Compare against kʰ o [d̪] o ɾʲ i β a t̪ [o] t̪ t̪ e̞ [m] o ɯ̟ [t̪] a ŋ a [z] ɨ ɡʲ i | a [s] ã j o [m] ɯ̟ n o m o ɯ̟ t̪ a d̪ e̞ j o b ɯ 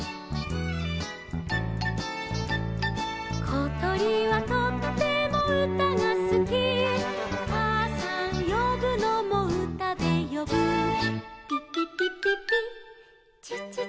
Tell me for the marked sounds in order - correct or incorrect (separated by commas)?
incorrect, correct, correct, correct, incorrect, correct, incorrect